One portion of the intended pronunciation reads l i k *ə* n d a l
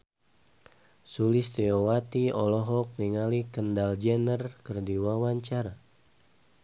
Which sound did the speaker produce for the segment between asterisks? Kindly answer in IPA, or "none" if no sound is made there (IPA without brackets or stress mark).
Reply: ə